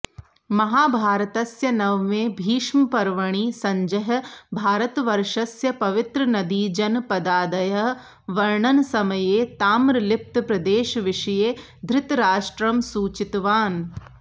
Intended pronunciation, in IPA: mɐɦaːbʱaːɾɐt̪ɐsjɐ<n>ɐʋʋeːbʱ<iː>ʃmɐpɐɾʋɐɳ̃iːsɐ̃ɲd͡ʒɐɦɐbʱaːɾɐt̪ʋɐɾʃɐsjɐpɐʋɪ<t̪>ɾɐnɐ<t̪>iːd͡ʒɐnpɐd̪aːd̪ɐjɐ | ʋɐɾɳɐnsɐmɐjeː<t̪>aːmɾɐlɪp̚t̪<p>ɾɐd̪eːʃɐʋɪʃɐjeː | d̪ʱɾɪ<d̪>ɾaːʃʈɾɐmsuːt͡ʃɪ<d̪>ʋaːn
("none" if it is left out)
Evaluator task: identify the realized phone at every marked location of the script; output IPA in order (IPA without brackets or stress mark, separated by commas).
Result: n, iː, t̪, d̪, t̪, p, t̪, t̪